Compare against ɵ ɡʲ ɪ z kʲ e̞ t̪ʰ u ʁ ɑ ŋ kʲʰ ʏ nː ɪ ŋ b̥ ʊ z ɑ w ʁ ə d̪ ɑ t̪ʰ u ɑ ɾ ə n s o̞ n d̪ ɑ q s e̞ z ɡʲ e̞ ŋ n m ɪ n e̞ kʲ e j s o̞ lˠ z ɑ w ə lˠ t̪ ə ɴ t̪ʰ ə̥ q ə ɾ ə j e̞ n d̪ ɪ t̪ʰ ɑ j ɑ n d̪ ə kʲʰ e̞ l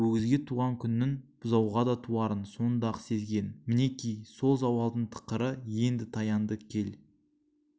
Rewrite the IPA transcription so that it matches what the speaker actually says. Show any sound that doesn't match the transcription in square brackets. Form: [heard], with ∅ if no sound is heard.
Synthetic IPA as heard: ɵ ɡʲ ɪ z [ɡʲ] e̞ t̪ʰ u ʁ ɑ ŋ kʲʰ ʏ nː ɪ ŋ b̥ ʊ z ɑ w ʁ [ɑ] d̪ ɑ t̪ʰ u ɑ ɾ ə n s o̞ n d̪ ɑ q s e̞ z ɡʲ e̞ [∅] n m ɪ n e̞ kʲ [i] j s o̞ lˠ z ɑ w [ɑ] lˠ [d̪] ə ɴ t̪ʰ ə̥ q ə ɾ ə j e̞ n d̪ ɪ t̪ʰ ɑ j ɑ n d̪ ə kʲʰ e̞ l